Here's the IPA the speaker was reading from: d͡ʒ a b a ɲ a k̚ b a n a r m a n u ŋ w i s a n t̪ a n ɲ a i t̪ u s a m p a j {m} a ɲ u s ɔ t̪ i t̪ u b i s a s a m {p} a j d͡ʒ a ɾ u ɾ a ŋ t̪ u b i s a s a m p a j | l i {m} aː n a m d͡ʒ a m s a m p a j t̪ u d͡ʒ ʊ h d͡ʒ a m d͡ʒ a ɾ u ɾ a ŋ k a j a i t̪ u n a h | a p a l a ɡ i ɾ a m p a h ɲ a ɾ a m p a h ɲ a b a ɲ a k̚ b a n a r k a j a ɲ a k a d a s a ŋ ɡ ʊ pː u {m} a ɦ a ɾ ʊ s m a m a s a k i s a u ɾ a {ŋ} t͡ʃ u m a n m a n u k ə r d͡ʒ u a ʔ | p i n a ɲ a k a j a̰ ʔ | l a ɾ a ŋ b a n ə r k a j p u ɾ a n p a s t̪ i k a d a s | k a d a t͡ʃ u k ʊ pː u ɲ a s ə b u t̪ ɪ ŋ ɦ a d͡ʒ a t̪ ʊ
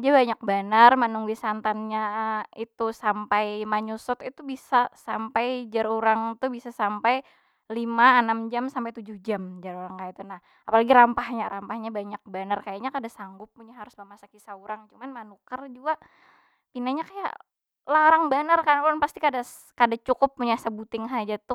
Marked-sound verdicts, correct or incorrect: correct, correct, correct, incorrect: ɲ, correct

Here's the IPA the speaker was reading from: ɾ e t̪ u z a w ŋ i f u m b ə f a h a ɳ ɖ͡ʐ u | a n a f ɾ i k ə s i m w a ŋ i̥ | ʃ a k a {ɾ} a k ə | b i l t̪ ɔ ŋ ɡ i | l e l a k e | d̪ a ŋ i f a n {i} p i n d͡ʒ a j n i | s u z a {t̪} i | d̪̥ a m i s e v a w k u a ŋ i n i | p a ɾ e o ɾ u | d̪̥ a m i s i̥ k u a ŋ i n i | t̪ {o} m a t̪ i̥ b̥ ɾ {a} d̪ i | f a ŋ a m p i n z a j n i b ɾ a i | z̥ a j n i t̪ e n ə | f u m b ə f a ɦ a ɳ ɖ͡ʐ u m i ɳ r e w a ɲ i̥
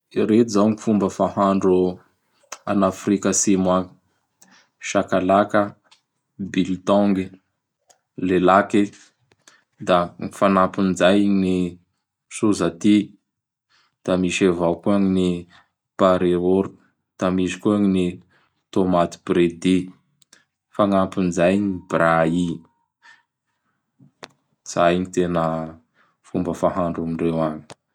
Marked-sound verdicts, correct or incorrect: incorrect: l, incorrect: a, correct, correct, incorrect: e

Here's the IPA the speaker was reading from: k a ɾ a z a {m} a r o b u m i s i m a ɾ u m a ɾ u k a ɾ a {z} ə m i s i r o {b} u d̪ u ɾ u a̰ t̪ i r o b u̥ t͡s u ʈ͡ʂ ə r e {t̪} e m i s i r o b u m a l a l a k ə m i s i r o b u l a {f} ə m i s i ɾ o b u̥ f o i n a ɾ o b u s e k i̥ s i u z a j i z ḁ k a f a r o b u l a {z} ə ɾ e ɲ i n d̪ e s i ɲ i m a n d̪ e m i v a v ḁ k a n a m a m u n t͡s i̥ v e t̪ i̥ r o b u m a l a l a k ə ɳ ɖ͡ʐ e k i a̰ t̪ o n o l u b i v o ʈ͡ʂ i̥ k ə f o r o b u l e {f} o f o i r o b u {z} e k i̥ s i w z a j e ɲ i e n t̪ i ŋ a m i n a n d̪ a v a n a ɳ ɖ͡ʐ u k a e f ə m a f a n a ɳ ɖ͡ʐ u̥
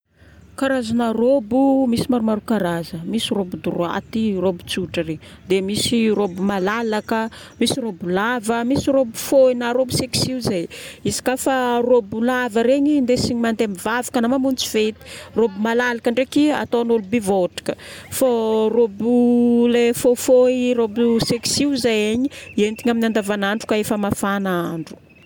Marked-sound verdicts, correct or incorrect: incorrect: n, correct, correct, incorrect: d̪, incorrect: v, incorrect: v, correct, incorrect: s

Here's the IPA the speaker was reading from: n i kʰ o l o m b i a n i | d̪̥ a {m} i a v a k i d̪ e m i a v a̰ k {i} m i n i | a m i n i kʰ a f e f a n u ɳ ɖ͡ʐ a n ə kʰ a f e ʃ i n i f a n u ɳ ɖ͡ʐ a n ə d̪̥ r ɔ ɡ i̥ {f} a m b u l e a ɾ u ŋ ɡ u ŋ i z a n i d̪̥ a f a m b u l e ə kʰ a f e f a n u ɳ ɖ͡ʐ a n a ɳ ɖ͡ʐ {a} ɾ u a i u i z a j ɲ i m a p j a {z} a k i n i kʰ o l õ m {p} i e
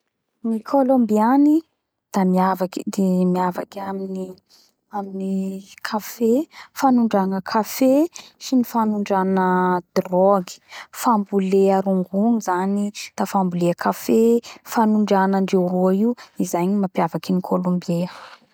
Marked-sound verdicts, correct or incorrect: correct, incorrect: a, correct, incorrect: e, incorrect: v, incorrect: b

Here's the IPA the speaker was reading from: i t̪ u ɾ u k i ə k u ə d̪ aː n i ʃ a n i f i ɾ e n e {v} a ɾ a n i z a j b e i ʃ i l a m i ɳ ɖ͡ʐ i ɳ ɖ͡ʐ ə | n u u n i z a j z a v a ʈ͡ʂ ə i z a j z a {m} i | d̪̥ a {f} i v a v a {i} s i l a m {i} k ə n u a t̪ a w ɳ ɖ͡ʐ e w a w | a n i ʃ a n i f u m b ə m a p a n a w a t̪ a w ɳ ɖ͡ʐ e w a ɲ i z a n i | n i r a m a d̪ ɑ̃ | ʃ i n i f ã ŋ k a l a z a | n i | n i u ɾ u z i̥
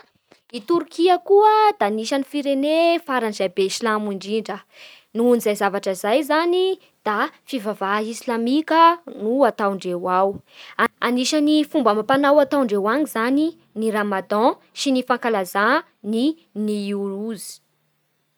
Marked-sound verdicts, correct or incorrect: incorrect: f, incorrect: n, correct, correct, correct

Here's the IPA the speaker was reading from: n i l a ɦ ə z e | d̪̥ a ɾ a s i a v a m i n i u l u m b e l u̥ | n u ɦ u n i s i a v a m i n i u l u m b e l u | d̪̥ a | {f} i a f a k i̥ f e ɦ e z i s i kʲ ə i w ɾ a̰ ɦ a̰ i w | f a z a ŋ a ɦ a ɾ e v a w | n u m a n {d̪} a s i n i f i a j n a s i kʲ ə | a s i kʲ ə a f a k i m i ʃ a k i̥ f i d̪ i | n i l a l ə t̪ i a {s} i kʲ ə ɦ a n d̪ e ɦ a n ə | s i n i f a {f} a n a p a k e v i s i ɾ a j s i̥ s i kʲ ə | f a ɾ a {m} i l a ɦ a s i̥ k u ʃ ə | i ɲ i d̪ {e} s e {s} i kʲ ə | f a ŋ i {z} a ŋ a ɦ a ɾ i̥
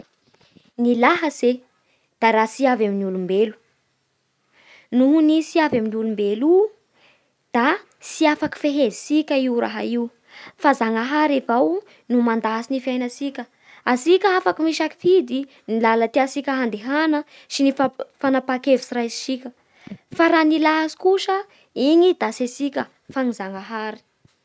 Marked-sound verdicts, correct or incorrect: incorrect: s, correct, correct, correct, incorrect: n, incorrect: a, correct, correct

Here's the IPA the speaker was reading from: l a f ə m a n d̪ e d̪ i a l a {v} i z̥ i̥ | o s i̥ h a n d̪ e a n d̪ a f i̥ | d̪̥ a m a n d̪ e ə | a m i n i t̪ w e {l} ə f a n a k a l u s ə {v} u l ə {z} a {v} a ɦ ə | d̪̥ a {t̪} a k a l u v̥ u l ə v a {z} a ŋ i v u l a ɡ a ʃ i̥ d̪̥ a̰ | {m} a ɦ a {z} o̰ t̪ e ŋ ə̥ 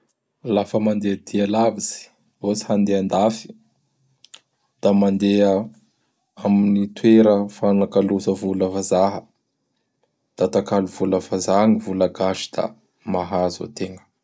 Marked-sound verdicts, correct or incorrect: correct, incorrect: ɾ, correct, incorrect: v, incorrect: z, correct, correct, correct, correct

